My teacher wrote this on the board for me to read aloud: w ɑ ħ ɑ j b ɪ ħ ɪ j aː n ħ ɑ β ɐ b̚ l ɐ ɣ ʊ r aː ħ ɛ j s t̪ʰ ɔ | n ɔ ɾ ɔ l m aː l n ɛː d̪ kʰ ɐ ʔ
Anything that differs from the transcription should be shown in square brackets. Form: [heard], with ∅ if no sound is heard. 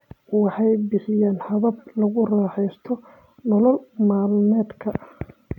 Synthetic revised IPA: w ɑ ħ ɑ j b ɪ ħ ɪ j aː n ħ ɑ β ɐ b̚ l ɐ ɣ ʊ r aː ħ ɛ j s t̪ʰ ɔ | n ɔ [l] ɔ l m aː l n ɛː d̪ kʰ ɐ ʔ